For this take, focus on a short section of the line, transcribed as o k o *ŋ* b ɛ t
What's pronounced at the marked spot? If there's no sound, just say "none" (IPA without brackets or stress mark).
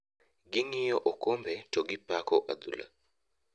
m